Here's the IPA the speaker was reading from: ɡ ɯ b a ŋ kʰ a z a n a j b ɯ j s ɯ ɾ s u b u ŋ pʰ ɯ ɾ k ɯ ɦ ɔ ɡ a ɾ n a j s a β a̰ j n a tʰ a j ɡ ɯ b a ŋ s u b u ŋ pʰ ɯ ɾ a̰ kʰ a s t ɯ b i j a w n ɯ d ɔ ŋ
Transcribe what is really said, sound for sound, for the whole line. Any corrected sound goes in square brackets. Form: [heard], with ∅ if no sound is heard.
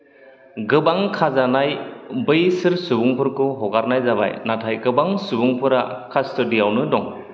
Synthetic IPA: ɡ ɯ b a ŋ kʰ a z a n a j b ɯ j s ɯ ɾ s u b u ŋ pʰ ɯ ɾ k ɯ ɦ ɔ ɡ a ɾ n a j [z] a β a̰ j n a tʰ a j ɡ ɯ b a ŋ s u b u ŋ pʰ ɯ ɾ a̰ kʰ a s t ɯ [d] i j a w n ɯ d ɔ ŋ